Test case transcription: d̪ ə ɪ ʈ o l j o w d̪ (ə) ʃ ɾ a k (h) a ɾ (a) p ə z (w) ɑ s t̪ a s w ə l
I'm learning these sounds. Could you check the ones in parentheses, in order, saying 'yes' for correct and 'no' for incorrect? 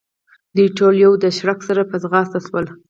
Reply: yes, no, yes, no

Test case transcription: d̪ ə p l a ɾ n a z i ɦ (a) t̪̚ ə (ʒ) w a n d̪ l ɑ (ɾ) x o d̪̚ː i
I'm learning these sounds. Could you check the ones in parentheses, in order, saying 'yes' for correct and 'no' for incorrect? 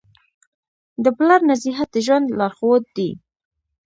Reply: yes, yes, yes

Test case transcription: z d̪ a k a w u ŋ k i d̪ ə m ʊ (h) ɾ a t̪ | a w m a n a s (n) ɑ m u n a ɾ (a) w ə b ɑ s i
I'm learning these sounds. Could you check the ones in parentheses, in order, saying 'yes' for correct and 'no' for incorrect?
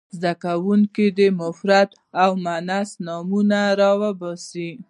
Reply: no, yes, no

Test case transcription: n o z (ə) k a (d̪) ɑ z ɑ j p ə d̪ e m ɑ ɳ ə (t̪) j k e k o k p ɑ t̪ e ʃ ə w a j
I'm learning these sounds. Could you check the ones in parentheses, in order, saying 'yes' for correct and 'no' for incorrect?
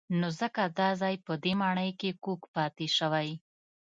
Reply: yes, yes, no

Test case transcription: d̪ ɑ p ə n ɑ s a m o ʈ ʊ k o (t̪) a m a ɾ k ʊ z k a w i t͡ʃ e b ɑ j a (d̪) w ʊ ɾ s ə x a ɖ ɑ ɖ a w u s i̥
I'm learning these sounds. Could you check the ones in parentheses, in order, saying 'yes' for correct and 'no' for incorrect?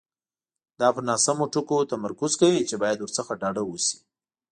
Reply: yes, yes

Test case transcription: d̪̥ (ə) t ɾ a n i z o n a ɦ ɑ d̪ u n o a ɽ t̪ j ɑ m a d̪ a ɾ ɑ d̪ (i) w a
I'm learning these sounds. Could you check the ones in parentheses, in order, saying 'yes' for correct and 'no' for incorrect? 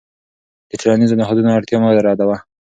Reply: yes, no

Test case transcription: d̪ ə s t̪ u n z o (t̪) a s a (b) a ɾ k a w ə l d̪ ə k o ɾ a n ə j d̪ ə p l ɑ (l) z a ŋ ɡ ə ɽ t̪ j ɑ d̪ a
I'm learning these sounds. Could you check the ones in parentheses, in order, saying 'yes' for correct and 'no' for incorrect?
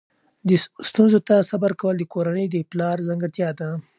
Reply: yes, yes, no

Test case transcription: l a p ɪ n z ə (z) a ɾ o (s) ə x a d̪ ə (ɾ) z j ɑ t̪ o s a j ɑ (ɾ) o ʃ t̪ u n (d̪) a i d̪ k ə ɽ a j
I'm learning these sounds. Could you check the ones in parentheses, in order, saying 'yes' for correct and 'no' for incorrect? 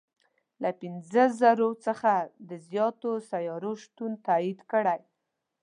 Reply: yes, no, no, yes, no

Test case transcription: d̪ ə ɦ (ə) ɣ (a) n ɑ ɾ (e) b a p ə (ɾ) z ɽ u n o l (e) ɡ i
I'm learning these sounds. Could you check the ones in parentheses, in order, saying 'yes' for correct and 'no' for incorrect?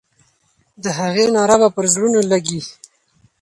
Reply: no, no, no, yes, no

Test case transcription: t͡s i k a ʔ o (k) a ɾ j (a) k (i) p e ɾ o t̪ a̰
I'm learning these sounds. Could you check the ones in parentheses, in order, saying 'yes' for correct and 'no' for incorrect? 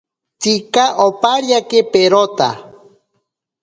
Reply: no, yes, no

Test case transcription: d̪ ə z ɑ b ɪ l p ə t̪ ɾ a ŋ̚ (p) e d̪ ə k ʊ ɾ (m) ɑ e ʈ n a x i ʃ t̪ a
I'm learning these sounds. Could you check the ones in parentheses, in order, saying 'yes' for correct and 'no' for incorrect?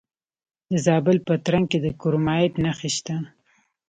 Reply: no, yes

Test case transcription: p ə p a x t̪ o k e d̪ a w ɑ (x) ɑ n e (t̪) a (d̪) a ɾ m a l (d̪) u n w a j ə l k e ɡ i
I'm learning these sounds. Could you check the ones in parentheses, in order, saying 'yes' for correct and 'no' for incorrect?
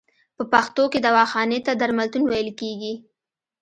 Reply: yes, yes, yes, no

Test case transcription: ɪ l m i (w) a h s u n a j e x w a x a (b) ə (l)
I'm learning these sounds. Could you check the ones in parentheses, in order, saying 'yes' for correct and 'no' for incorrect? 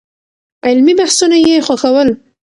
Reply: no, no, yes

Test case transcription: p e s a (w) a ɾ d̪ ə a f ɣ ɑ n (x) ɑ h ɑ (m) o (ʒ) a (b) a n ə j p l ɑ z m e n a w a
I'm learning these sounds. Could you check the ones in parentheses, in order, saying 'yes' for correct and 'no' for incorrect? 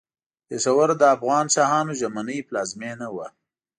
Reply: yes, no, no, yes, no

